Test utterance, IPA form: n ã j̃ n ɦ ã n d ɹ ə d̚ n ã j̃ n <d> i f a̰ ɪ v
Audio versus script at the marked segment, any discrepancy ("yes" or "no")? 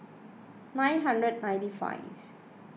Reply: yes